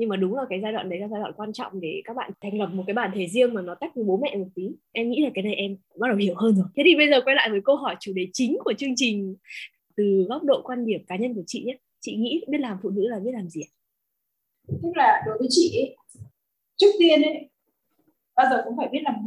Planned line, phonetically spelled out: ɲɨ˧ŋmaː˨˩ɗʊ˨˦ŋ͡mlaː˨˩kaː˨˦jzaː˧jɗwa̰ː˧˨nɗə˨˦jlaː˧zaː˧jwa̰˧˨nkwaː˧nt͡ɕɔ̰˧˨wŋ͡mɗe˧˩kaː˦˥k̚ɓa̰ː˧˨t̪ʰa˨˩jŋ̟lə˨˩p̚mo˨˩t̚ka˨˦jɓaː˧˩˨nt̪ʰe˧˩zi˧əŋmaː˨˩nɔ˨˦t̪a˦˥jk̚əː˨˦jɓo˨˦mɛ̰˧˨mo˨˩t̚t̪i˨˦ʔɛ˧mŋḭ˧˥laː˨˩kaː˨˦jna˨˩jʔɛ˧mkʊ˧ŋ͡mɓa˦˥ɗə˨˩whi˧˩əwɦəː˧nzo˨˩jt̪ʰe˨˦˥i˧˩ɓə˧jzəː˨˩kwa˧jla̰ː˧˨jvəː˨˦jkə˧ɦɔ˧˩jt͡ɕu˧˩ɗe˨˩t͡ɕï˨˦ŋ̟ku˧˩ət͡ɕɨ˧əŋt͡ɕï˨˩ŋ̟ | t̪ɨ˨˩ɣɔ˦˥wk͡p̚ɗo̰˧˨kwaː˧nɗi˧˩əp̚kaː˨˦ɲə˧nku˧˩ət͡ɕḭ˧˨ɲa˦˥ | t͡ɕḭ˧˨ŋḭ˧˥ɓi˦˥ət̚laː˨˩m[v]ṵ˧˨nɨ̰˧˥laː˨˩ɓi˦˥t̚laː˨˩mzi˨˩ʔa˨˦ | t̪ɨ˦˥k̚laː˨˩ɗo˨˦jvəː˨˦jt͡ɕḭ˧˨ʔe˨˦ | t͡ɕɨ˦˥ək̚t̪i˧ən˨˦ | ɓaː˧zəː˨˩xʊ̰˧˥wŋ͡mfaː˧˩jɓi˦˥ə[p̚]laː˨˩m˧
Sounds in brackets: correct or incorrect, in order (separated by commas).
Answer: incorrect, incorrect